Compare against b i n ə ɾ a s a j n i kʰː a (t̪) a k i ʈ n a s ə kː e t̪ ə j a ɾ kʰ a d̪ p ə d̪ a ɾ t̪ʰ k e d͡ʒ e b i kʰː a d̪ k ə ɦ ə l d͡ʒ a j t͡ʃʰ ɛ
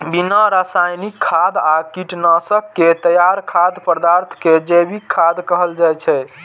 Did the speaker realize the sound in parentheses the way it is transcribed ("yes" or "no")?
no